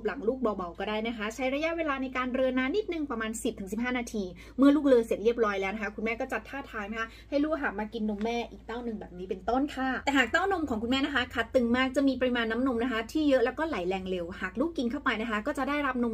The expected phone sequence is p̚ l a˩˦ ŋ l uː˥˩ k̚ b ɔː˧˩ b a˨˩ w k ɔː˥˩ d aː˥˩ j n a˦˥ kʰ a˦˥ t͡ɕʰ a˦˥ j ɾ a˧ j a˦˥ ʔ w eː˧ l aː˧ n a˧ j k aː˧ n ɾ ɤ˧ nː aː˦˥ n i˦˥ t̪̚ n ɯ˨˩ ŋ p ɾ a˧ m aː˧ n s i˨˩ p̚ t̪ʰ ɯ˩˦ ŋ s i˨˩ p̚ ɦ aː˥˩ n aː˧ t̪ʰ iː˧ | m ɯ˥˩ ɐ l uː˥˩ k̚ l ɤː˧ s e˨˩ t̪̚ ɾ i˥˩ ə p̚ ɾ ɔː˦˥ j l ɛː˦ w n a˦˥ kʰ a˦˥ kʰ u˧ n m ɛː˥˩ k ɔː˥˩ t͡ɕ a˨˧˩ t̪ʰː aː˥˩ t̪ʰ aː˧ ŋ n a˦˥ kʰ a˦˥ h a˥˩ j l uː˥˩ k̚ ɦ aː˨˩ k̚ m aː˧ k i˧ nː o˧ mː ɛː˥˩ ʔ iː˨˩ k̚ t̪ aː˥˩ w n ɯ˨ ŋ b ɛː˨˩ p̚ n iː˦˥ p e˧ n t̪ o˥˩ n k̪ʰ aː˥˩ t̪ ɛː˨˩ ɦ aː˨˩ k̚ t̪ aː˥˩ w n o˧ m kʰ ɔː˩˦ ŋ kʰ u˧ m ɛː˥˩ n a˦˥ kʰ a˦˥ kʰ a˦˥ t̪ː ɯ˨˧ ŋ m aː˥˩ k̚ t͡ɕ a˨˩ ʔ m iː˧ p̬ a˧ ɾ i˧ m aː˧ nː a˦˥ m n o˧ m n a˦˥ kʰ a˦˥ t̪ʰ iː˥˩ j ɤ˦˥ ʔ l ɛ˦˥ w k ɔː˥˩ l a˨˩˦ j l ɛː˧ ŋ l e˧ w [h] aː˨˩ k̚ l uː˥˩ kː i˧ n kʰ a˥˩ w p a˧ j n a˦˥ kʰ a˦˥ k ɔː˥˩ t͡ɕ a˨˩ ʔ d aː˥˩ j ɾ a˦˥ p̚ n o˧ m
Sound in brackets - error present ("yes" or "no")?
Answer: no